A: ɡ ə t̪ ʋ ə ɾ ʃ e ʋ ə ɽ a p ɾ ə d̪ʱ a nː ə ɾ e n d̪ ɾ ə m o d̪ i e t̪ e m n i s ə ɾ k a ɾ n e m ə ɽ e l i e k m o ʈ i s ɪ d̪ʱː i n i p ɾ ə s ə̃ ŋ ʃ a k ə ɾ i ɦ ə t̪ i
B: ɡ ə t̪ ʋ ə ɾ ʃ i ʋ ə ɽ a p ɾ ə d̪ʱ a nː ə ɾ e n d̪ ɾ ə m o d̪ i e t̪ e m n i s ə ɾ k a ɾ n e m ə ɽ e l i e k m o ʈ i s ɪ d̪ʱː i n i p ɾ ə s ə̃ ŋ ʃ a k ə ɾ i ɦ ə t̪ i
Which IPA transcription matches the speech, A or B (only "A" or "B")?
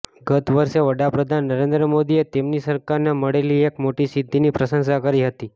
A